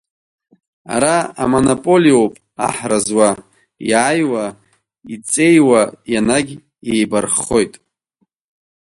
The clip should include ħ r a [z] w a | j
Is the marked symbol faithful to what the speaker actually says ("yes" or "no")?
yes